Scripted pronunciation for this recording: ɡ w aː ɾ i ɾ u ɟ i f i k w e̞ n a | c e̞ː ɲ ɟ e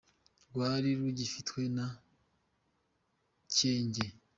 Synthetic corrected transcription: ɡ w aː ɾ i ɾ u ɟ i f i t w e̞ n a | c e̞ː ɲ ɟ e